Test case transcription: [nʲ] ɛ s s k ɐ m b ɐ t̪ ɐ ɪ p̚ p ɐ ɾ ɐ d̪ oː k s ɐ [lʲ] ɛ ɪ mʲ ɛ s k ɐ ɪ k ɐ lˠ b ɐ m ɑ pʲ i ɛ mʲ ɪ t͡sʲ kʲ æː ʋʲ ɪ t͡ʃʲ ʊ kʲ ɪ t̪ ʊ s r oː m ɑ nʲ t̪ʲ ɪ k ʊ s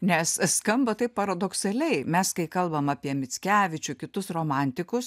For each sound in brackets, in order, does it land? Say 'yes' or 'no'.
yes, yes

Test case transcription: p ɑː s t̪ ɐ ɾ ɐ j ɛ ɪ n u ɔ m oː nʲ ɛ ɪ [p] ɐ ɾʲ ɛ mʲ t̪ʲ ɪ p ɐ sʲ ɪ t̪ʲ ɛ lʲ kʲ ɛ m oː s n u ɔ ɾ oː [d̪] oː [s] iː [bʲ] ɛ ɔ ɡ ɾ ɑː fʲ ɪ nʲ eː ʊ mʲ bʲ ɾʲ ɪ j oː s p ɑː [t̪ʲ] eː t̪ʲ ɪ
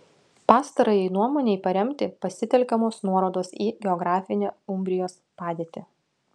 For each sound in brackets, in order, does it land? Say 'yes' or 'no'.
yes, yes, yes, no, no

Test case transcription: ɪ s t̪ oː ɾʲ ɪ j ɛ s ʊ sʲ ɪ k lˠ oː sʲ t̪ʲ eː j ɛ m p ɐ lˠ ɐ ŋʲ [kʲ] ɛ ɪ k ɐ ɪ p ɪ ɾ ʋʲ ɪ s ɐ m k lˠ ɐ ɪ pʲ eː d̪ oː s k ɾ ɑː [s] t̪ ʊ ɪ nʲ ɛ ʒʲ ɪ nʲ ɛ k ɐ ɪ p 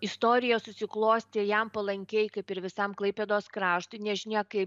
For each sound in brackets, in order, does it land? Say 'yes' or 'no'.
yes, no

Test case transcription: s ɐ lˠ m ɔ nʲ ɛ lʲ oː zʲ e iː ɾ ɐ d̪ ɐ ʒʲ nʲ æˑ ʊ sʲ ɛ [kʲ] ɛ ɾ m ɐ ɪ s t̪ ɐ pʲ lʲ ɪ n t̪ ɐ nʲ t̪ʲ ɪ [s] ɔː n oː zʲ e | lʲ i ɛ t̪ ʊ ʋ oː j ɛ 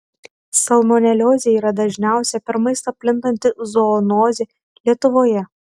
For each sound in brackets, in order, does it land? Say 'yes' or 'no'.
no, no

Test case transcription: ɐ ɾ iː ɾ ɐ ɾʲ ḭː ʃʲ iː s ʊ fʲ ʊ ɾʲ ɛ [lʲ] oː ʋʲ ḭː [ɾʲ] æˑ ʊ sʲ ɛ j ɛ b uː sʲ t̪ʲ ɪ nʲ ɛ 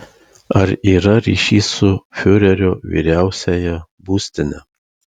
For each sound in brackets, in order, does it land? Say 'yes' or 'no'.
no, yes

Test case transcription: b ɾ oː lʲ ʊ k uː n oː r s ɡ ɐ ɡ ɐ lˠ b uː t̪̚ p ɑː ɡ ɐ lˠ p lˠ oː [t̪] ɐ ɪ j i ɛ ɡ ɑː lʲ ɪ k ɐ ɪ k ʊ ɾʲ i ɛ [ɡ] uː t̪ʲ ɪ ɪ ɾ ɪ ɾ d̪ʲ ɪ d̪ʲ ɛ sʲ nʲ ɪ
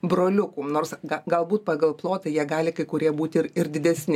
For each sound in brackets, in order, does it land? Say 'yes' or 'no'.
yes, no

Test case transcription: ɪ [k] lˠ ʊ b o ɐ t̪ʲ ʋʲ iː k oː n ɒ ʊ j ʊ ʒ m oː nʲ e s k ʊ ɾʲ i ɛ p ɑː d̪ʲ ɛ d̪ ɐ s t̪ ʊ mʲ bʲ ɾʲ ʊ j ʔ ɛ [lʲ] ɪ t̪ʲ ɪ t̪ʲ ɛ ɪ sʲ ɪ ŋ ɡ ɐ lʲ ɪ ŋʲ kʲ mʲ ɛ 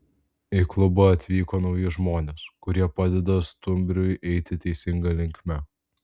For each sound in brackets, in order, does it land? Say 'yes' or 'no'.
yes, no

